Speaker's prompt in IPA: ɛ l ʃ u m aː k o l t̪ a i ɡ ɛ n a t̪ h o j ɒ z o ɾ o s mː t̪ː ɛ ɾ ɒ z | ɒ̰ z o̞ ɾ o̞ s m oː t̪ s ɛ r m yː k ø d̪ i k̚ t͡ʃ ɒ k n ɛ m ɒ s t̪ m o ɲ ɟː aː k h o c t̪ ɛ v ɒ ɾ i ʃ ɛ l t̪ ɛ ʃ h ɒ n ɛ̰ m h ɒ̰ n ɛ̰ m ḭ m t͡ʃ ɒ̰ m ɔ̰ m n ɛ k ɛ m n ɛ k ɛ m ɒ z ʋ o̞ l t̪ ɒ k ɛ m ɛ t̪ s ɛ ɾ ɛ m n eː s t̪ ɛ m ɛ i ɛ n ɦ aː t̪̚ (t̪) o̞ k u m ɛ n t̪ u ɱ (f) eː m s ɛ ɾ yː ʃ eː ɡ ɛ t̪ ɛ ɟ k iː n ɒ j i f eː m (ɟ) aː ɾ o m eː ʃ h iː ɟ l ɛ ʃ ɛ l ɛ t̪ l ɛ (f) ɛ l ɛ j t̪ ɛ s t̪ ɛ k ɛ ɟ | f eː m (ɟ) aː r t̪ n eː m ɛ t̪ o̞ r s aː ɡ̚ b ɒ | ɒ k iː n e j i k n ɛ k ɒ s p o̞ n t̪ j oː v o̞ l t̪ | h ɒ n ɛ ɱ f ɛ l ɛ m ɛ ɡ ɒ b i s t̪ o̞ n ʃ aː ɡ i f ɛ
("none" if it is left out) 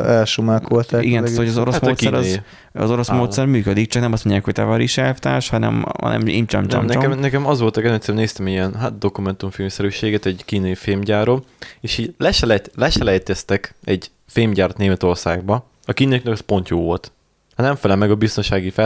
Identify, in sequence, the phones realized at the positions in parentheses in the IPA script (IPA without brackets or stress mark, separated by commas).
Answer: d̪, f, ɟ, ʃ, ɟ